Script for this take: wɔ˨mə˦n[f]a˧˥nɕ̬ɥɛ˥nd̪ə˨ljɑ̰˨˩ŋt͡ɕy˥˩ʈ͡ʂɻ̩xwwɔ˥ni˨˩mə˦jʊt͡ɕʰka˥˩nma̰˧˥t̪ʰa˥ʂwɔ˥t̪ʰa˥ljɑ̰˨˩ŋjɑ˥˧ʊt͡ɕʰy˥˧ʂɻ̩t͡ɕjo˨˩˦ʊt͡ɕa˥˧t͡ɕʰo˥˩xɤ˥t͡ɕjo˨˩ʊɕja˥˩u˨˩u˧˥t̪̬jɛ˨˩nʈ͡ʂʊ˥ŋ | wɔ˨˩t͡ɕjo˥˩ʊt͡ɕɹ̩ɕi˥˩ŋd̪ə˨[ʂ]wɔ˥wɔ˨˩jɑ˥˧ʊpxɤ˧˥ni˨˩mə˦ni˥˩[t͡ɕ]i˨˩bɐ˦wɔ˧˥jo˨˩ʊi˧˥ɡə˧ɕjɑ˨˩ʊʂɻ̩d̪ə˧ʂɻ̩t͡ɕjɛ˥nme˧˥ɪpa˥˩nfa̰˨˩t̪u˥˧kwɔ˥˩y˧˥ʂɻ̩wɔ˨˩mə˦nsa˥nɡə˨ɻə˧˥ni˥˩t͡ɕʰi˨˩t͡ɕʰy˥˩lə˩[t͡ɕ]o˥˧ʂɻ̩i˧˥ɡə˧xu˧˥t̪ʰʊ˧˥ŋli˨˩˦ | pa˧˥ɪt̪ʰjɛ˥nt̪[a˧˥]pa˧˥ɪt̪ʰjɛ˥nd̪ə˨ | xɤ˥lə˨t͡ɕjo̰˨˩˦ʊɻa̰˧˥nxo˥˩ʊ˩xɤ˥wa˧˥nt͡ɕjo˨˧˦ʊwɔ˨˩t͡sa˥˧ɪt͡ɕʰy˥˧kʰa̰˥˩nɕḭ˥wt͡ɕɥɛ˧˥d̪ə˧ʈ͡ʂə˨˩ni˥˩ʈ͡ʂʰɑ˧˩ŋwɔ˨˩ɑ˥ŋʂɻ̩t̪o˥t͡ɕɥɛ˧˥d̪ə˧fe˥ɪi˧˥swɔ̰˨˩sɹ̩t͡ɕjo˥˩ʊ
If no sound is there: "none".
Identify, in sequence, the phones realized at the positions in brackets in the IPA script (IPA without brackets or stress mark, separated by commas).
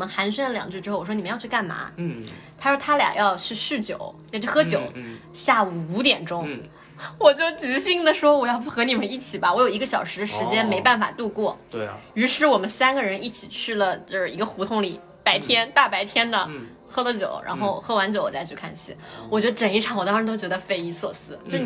x, ʂ, t͡ɕʰ, t͡ɕ, a˥˩